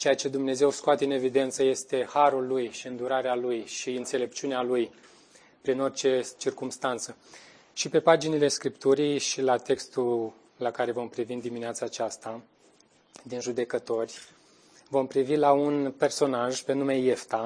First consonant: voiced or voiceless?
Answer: voiceless